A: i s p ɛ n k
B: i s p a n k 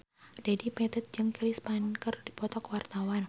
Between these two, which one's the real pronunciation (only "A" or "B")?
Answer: B